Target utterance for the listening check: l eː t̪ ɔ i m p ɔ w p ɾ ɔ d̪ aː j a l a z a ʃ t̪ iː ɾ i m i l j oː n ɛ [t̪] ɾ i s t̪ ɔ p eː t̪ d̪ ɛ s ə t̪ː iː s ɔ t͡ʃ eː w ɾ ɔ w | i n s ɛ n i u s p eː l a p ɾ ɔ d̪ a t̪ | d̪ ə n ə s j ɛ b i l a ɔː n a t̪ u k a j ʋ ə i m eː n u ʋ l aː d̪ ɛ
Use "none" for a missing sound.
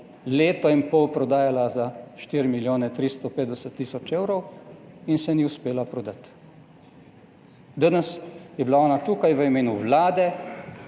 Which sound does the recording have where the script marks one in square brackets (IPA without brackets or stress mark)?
t̪